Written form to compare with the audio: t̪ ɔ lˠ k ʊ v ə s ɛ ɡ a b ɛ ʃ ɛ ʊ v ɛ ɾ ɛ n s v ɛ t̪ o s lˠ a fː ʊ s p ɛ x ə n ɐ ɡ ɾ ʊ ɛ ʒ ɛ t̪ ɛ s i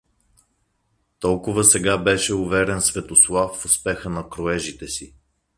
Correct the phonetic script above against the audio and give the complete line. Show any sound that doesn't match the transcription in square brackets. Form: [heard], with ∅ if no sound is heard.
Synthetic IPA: t̪ ɔ lˠ k ʊ v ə s ɛ ɡ a b ɛ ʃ ɛ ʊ v ɛ ɾ ɛ n s v ɛ t̪ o s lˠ a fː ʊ s p ɛ x ə n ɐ [k] ɾ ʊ ɛ ʒ [i] t̪ ɛ s i